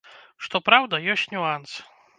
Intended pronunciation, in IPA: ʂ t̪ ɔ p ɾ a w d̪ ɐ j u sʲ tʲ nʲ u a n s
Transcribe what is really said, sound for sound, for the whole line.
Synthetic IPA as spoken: ʂ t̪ ɔ p ɾ a w d̪ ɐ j ɔ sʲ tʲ nʲ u a n s